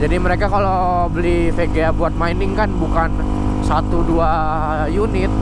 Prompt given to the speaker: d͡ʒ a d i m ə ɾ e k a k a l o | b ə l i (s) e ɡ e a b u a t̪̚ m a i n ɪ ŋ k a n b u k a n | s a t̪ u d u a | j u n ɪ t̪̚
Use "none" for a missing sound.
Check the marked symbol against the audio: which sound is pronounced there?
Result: f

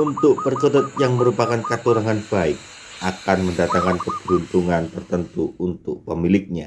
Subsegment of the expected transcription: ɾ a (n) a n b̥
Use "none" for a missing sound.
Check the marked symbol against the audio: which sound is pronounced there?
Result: ŋ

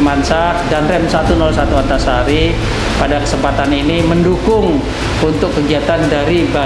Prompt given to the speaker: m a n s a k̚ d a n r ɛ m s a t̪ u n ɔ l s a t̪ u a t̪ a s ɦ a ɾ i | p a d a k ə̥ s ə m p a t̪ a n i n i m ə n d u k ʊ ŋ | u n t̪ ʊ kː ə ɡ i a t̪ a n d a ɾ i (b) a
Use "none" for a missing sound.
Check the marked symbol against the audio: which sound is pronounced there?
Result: b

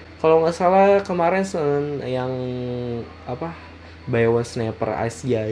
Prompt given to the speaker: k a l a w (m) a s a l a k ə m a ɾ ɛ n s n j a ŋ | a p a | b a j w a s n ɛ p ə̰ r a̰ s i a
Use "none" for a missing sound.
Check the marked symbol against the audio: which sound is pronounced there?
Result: ŋ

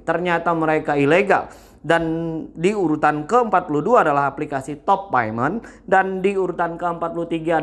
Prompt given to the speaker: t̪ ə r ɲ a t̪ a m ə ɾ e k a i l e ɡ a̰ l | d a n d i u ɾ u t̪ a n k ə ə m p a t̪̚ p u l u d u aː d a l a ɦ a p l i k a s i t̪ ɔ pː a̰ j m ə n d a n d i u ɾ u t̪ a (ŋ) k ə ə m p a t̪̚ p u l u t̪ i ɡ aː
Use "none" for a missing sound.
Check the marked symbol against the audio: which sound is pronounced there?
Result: n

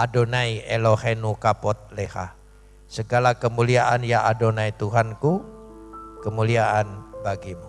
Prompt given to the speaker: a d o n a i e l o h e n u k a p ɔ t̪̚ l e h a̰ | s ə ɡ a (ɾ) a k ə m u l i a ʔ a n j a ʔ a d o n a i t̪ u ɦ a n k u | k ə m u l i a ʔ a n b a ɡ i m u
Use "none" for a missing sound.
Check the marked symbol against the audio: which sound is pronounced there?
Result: l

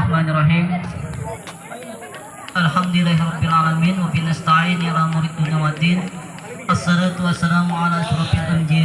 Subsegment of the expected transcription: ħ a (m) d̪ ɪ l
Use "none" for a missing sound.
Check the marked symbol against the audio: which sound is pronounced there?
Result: m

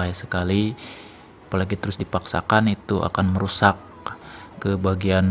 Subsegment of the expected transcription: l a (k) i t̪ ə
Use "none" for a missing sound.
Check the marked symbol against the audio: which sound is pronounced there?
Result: ɡ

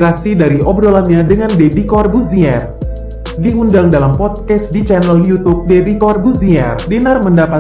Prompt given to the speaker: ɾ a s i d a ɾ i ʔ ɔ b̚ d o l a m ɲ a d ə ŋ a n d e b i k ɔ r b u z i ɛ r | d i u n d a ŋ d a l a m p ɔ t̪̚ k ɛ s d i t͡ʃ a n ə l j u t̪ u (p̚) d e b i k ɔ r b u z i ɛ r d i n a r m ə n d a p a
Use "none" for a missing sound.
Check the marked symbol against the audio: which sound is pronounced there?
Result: p̚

